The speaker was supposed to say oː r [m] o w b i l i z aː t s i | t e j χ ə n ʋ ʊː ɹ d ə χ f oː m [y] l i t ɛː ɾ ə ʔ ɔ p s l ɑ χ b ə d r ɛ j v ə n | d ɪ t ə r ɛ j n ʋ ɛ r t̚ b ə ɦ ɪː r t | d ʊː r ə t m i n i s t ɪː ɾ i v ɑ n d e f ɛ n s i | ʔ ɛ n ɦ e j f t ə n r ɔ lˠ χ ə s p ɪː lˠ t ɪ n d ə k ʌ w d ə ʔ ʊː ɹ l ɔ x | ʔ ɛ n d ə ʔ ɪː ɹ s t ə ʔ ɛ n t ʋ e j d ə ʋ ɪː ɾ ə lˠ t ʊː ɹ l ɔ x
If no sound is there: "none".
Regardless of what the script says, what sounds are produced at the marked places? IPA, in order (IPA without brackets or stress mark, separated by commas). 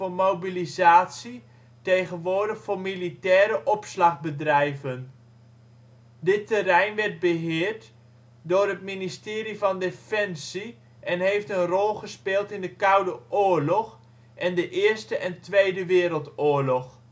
m, i